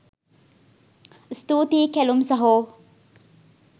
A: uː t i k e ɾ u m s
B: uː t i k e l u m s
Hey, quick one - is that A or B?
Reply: B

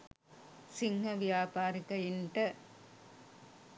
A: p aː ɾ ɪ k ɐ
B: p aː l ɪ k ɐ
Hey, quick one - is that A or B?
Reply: A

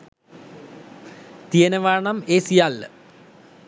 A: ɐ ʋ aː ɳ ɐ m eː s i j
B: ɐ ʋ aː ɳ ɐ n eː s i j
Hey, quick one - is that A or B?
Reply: A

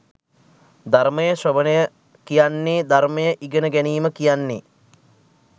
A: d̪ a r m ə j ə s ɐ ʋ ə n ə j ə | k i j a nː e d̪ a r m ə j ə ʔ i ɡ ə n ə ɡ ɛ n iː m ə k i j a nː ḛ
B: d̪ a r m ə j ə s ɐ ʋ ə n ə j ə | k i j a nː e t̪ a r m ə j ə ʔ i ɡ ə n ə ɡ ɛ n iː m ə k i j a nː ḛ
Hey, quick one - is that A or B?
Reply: A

